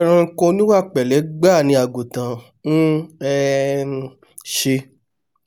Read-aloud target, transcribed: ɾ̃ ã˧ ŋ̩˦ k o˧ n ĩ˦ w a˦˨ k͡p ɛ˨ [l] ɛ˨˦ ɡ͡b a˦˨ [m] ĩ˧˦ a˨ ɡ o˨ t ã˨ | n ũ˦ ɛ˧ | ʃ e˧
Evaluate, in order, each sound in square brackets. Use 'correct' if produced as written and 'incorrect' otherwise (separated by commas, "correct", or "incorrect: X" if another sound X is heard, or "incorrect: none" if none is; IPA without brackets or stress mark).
correct, incorrect: n